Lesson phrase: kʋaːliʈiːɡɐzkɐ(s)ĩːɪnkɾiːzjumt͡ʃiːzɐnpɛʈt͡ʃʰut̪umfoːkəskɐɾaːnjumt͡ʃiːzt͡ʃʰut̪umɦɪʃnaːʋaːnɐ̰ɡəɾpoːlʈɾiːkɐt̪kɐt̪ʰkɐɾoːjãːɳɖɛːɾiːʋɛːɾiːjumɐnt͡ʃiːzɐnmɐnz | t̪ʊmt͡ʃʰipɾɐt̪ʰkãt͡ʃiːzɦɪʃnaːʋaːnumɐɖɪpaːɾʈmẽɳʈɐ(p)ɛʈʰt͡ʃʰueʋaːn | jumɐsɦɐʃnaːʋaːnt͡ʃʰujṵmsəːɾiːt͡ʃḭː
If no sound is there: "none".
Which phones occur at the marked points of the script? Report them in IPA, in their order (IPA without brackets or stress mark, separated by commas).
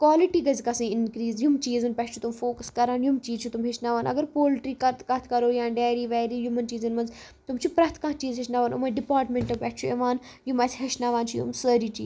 s, p